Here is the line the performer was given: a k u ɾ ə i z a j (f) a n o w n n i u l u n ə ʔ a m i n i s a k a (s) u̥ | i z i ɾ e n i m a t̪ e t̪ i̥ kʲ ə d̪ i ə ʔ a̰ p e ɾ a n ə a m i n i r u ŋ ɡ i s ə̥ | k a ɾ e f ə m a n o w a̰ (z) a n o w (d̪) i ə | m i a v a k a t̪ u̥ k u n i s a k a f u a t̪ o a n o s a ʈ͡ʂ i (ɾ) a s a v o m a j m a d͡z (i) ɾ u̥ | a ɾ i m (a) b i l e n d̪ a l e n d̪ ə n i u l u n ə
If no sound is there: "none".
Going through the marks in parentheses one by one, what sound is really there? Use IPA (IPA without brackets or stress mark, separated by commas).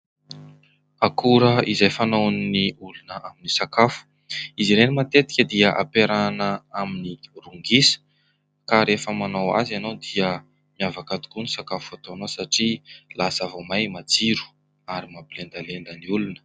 f, f, z, d̪, l, i, a